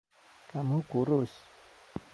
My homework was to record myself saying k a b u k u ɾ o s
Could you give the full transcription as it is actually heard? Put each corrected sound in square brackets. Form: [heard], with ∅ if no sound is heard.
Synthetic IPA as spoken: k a [m] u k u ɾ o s